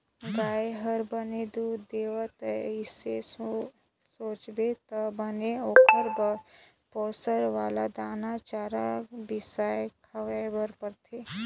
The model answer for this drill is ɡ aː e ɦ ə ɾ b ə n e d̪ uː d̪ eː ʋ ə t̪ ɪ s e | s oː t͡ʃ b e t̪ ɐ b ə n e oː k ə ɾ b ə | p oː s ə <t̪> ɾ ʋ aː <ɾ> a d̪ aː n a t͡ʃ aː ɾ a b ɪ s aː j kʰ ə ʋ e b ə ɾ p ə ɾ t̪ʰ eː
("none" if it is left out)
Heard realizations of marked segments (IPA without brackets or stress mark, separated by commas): none, l